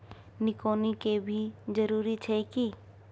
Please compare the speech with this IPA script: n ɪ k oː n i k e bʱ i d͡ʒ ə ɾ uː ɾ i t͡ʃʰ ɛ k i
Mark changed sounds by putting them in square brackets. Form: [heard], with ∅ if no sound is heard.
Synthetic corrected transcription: n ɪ k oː n i k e bʱ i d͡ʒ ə ɾ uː ɾ i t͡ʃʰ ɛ k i